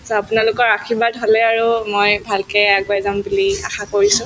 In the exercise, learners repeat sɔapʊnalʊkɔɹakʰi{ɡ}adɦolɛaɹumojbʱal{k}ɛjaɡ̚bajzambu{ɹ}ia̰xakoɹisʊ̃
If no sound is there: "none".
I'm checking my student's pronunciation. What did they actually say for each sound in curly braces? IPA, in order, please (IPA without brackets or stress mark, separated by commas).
b, k, l